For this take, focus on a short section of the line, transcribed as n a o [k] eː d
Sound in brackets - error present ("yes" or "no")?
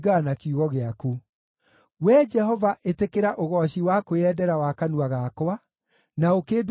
no